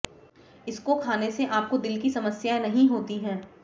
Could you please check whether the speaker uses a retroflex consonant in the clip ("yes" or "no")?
no